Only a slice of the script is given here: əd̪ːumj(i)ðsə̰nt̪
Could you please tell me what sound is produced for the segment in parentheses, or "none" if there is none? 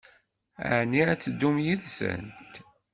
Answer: i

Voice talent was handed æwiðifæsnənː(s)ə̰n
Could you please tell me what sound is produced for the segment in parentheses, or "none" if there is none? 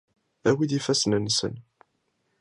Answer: s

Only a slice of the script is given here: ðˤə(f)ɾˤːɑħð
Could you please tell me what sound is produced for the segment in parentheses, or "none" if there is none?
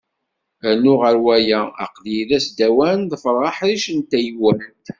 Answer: f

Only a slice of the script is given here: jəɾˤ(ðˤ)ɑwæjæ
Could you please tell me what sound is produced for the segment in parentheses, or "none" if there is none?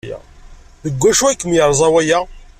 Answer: zˤ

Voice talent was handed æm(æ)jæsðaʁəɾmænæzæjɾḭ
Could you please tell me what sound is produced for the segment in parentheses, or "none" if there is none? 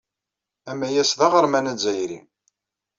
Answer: æ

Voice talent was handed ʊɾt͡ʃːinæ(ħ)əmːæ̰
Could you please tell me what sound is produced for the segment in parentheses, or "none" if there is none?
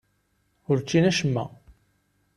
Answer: ʃ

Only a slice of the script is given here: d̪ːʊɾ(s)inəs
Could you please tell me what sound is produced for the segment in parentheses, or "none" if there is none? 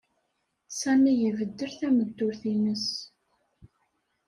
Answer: θ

